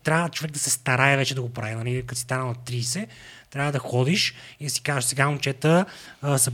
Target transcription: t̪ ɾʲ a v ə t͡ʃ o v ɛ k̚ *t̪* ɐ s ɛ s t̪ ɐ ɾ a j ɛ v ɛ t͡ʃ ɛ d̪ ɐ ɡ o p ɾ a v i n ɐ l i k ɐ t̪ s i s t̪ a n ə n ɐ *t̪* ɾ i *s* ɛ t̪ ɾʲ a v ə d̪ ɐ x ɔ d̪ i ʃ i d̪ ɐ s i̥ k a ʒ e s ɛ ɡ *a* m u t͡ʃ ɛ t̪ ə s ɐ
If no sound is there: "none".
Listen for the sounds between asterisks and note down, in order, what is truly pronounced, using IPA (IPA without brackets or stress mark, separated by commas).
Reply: d̪, t̪, s, a